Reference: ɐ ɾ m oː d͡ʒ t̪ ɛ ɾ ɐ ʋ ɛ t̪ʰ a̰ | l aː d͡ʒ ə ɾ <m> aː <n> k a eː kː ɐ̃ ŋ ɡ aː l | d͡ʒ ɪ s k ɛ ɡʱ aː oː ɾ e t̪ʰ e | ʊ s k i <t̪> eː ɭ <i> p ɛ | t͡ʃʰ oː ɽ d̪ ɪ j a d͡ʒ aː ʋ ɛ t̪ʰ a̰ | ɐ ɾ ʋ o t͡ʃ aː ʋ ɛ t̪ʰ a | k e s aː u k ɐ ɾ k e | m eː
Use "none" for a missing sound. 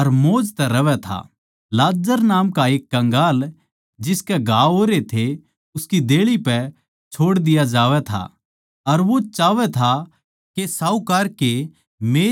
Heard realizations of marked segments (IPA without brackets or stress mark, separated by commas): n, m, d̪, i